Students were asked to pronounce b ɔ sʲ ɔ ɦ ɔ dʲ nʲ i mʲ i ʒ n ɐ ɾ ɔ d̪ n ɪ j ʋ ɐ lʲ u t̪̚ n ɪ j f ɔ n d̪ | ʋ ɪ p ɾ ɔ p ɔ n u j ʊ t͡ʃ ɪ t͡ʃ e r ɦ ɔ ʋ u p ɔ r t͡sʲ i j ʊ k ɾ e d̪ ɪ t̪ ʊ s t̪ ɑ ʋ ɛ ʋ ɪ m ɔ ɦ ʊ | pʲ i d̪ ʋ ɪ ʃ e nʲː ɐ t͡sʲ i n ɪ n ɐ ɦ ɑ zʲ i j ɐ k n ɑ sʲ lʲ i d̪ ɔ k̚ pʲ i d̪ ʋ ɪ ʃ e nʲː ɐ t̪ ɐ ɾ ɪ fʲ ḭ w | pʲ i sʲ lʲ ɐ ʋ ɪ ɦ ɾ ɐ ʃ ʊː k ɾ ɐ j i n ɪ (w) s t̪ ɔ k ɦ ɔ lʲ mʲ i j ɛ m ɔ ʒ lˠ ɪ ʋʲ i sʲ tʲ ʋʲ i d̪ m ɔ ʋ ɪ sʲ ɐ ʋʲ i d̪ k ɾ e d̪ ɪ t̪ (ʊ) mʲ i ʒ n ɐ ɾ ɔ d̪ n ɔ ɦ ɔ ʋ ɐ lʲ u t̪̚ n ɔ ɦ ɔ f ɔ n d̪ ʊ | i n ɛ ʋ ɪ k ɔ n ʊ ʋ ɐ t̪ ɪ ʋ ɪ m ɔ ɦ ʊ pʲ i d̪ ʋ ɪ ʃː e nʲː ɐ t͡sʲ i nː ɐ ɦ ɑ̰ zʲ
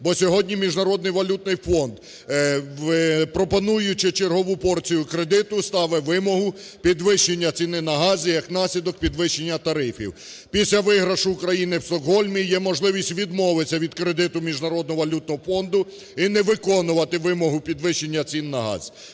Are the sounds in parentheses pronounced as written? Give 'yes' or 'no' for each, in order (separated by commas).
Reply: yes, yes